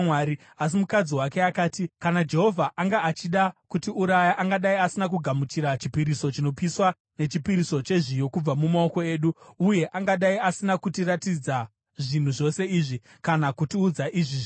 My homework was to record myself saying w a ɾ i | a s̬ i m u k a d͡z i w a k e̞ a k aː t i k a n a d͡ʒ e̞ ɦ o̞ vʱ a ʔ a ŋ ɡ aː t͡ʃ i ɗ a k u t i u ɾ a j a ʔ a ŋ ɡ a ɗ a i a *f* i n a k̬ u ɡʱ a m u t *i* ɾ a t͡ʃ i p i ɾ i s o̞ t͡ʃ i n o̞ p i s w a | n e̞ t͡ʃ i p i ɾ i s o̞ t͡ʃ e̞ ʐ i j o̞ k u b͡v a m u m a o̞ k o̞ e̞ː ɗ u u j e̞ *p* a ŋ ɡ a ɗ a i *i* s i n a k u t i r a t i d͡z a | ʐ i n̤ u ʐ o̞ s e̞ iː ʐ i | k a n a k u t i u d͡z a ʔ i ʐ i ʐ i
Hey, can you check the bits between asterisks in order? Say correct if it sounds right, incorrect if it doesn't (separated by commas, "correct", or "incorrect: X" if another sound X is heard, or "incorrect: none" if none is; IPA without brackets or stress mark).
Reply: incorrect: s, correct, incorrect: ʔ, incorrect: a